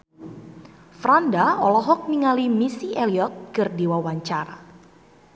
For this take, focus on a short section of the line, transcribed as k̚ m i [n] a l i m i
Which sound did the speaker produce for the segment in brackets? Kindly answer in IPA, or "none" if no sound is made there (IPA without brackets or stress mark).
ŋ